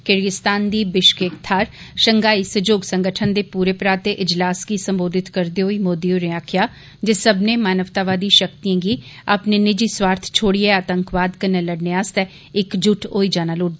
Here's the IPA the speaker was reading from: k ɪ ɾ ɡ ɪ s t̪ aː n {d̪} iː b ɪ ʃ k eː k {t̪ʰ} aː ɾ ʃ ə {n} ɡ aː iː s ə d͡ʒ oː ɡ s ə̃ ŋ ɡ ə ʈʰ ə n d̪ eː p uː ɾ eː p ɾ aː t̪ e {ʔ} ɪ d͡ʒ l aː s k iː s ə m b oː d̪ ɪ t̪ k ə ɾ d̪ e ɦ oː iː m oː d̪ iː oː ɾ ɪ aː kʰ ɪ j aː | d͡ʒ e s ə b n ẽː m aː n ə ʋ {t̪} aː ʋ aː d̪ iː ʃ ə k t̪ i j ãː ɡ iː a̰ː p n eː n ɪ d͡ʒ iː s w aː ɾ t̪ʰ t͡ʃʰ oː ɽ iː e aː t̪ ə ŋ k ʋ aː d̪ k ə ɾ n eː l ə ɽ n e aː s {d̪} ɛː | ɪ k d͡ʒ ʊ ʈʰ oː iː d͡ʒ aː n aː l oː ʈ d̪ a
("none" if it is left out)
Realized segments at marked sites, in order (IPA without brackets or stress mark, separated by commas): d̪, t̪ʰ, ŋ, ʔ, t̪, t̪